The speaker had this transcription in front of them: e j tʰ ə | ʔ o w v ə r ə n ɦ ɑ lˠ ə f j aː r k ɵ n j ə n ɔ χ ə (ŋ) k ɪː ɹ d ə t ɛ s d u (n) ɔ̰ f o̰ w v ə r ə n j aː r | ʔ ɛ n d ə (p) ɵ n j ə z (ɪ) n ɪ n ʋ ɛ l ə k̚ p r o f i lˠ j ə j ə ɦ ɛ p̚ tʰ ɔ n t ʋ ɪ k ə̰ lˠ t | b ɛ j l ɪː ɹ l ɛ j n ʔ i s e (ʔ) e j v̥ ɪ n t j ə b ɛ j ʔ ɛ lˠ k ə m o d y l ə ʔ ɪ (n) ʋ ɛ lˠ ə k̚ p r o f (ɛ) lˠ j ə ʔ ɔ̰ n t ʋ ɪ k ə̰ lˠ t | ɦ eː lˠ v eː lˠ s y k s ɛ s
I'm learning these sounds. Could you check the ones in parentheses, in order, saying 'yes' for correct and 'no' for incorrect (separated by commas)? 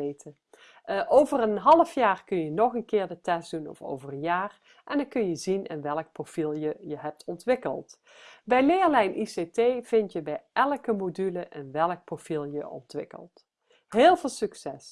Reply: no, yes, no, no, no, yes, no